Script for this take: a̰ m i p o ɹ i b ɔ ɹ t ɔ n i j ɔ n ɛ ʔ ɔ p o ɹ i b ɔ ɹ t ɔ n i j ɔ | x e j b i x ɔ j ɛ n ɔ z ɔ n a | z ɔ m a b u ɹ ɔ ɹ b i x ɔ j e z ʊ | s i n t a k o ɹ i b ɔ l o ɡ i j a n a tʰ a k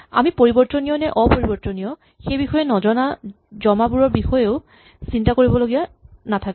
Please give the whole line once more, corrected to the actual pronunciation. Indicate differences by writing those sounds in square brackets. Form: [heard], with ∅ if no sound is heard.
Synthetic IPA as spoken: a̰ m i p o ɹ i b ɔ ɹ t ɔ n i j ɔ n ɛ ʔ ɔ p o ɹ i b ɔ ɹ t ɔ n i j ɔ | x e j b i x ɔ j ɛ n ɔ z ɔ n a | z ɔ m a b u ɹ ɔ ɹ b i x ɔ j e [∅] ʊ | s i n t a k o ɹ i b ɔ l o ɡ i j a n a tʰ a k

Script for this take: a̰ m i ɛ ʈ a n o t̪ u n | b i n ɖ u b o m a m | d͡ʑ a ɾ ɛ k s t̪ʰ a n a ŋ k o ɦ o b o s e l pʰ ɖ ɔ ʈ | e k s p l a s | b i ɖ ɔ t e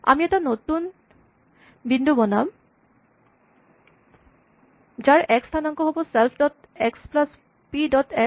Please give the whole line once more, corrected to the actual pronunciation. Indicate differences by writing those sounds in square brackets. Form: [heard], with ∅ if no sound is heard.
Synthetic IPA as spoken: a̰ m i ɛ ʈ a n o t̪ u n | b i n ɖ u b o [n] a m | d͡ʑ a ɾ ɛ k s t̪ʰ a n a ŋ k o ɦ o b o s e l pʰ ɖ ɔ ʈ | e k s p l a s | [p] i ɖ ɔ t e

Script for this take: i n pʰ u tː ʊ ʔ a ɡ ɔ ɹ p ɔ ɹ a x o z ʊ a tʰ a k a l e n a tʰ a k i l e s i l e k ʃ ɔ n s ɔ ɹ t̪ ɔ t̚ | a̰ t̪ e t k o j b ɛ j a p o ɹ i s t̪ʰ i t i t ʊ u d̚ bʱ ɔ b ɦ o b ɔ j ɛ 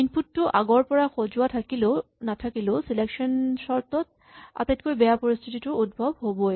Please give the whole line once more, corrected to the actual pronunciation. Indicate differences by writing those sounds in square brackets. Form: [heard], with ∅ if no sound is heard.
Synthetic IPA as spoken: i n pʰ u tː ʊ ʔ a ɡ ɔ ɹ p ɔ ɹ a x o z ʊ a tʰ a k [i] l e n a tʰ a k i l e s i l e k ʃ ɔ n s ɔ ɹ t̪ ɔ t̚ | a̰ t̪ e t k o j b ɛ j a p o ɹ i s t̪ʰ i t i t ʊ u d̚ bʱ ɔ b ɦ o b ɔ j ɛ

